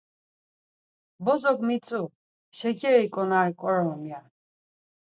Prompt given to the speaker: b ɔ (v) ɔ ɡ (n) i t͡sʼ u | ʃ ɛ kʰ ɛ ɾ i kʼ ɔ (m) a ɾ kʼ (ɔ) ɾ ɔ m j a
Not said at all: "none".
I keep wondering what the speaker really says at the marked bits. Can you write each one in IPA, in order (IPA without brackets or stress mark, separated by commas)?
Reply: z, m, n, ɔ